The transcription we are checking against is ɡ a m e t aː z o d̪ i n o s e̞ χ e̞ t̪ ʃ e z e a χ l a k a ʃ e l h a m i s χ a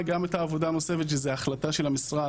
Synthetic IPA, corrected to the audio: ɡ a m e t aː v o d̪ a n o s e̞ f e̞ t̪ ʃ e z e a χ l a t a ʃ e l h a m i s ʁ a